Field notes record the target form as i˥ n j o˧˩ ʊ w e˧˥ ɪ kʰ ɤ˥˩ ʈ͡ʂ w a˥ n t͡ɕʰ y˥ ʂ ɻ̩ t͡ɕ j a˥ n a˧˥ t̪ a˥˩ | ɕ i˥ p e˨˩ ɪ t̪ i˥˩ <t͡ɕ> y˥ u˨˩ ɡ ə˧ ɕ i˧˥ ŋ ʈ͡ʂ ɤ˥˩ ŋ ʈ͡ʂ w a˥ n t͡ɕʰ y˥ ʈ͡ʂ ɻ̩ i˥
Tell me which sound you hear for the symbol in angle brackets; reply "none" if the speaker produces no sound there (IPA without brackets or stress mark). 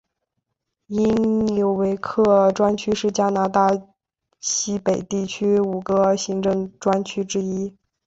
t͡ɕʰ